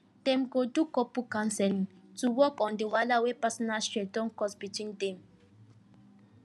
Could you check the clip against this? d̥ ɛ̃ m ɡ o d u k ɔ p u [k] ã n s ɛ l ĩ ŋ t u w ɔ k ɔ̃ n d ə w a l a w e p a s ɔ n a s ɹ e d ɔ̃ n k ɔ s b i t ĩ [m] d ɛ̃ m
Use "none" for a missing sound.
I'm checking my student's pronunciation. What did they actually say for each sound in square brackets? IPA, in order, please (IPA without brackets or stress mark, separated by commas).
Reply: k, ŋ